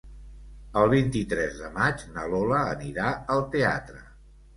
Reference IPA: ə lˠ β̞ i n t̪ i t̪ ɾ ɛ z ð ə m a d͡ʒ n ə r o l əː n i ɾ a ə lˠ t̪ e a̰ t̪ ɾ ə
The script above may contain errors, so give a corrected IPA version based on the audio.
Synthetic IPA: ə lˠ β̞ i n t̪ i t̪ ɾ ɛ z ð ə m a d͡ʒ n ə l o l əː n i ɾ a ə lˠ t̪ e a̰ t̪ ɾ ə

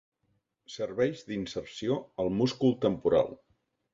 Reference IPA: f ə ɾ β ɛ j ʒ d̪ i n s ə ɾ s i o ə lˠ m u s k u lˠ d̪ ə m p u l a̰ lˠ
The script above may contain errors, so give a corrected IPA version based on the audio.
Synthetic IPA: s ə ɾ β ɛ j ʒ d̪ i n s ə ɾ s i o ə lˠ m u s k u lˠ t̪ ə m p u ɾ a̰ lˠ

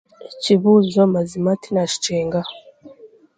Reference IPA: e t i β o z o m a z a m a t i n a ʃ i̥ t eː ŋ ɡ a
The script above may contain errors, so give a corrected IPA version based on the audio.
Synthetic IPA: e c i β u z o m a z i m a t i n a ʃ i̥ t͡ʃ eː ŋ ɡ a

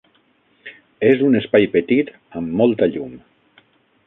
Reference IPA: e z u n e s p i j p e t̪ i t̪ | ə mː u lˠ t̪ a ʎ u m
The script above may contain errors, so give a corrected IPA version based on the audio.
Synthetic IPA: e z u n e s p a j p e t̪ i t̪ | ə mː ɔ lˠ t̪ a ʎ u m

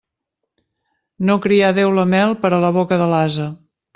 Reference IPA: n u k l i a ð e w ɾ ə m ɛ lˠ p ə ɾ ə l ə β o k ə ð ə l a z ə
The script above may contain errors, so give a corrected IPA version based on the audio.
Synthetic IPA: n o k ɾ i a ð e w l ə m ɛ lˠ p ə ɾ ə l ə β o k ə ð ə l a z ə

